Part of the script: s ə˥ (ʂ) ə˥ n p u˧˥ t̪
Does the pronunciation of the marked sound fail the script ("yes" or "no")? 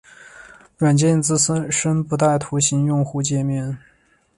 no